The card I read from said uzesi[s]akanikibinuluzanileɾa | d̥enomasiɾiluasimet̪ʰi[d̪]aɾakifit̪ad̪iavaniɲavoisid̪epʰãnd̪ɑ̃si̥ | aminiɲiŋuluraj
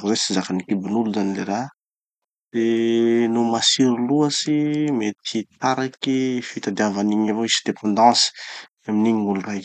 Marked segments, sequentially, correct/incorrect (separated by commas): incorrect, incorrect